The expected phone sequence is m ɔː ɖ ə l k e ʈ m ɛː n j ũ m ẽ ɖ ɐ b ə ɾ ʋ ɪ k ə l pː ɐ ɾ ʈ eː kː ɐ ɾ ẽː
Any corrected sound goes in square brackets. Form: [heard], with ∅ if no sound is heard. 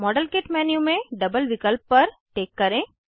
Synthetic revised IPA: m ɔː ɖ ə l k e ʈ m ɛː n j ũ m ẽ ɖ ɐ b ə [l] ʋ ɪ k ə l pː ɐ ɾ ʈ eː kː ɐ ɾ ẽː